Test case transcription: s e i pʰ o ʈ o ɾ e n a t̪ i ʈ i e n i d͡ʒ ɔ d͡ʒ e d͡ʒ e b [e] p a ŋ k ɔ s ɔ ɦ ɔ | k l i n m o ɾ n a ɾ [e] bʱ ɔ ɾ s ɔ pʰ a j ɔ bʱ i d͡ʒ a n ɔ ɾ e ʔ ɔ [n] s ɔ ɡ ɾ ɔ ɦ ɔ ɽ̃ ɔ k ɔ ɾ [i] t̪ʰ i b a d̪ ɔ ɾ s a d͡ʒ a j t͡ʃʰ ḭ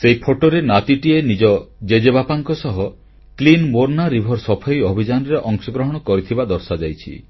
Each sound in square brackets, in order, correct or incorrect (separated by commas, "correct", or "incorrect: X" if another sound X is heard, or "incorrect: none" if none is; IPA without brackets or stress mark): incorrect: a, incorrect: i, incorrect: ŋ, correct